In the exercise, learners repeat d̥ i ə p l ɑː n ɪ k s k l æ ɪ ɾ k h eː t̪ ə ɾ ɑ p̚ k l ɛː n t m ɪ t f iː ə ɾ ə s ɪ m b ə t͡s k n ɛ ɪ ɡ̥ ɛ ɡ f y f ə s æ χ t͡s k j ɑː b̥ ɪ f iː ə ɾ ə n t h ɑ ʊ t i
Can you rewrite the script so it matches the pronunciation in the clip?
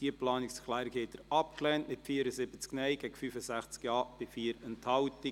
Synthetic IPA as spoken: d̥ i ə p l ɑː n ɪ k s k l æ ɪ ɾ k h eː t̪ ə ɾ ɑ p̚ k l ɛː n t m ɪ t f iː ə ɾ ə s ɪ b ə t͡s k n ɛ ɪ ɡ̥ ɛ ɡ f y f ə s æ χ t͡s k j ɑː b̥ ɪ f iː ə ɾ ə n t h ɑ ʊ t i